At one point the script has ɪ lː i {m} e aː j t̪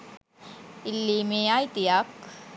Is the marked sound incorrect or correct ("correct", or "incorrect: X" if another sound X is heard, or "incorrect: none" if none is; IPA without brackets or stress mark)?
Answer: correct